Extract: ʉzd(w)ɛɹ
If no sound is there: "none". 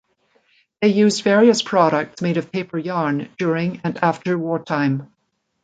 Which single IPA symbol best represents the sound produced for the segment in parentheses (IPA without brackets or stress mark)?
v